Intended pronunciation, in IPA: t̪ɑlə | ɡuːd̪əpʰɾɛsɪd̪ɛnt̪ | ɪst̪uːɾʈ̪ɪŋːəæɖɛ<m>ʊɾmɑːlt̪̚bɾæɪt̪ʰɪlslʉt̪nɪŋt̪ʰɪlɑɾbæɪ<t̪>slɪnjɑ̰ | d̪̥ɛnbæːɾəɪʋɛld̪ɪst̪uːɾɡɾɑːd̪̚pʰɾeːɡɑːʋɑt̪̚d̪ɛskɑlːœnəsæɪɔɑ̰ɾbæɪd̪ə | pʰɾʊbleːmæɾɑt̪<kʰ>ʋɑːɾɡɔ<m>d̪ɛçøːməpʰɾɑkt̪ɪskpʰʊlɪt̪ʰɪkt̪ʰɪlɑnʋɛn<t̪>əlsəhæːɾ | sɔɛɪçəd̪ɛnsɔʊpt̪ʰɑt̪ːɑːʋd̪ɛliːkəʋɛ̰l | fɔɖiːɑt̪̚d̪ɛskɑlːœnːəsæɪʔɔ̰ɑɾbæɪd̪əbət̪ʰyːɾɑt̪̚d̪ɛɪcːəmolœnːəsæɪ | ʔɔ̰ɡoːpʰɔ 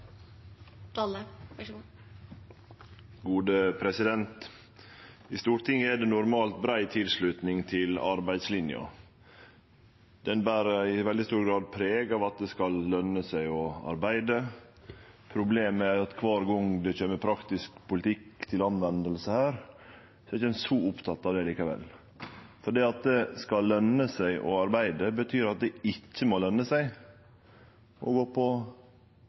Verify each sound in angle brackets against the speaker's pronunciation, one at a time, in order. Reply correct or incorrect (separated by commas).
incorrect, incorrect, correct, incorrect, incorrect